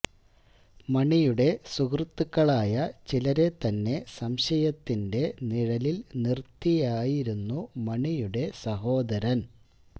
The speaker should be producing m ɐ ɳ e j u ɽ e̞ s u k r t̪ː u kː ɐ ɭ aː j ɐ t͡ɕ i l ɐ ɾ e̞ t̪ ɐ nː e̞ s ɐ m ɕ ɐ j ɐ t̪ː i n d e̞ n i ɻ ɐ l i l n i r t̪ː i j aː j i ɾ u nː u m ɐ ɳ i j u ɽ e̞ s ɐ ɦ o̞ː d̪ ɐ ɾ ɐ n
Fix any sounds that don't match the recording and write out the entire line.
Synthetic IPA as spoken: m ɐ ɳ i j u ɽ e̞ s u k r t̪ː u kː ɐ ɭ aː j ɐ t͡ɕ i l ɐ ɾ e̞ t̪ ɐ nː e̞ s ɐ m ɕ ɐ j ɐ t̪ː i n d e̞ n i ɻ ɐ l i l n i r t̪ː i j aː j i ɾ u nː u m ɐ ɳ i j u ɽ e̞ s ɐ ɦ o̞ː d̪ ɐ ɾ ɐ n